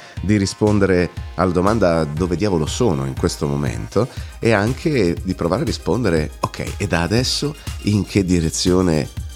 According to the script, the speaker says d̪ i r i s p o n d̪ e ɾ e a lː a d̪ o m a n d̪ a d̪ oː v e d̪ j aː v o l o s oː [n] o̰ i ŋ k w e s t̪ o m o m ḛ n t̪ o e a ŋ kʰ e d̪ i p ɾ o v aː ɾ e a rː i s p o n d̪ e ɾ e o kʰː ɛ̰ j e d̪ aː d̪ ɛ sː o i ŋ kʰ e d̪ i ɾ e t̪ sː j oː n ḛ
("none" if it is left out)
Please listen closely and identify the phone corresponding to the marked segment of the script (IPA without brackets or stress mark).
n